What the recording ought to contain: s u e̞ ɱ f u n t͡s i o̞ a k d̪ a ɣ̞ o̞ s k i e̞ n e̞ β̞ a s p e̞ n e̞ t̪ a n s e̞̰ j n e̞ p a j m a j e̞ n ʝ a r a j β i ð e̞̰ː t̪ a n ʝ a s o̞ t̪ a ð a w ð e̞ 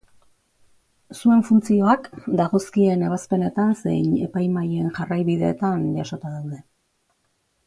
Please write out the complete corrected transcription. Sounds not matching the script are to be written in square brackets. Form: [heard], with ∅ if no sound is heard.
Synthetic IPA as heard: s u e̞ ɱ f u n t͡s i o̞ a k d̪ a ɣ̞ o̞ s k i e̞ n e̞ β̞ a s p e̞ n e̞ t̪ a n s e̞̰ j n e̞ p a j m a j e̞ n ʝ a r a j β i ð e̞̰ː t̪ a n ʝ a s o̞ t̪ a ð a w ð e̞

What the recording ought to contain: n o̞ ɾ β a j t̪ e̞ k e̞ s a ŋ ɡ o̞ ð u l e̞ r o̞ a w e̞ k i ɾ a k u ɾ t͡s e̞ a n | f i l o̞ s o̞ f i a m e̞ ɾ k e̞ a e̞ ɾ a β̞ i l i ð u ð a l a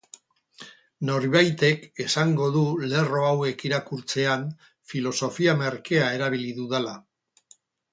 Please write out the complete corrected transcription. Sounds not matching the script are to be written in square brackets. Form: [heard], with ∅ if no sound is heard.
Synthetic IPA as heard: n o̞ ɾ β a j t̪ e̞ k e̞ s a ŋ ɡ o̞ ð u l e̞ r o̞ a w e̞ k i ɾ a k u ɾ t͡s e̞ a n | f i l o̞ s o̞ f i a m e̞ ɾ k e̞ a e̞ ɾ a β̞ i l i ð u ð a l a

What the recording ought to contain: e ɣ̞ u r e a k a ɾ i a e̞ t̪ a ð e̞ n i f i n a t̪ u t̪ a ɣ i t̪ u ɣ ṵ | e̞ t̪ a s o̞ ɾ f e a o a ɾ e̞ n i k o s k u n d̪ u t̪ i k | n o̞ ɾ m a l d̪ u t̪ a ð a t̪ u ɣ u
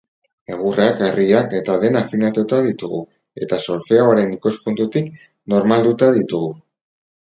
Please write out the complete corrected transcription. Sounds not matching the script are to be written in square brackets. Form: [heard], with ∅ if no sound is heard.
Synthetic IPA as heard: e ɣ̞ u r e a k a [r] i a e̞ t̪ a ð e̞ n [a] f i n a t̪ u t̪ a [ð] i t̪ u ɣ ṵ | e̞ t̪ a s o̞ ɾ f e a o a ɾ e̞ n i k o s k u n [t̪] u t̪ i k | n o̞ ɾ m a l d̪ u t̪ a ð [i] t̪ u ɣ u

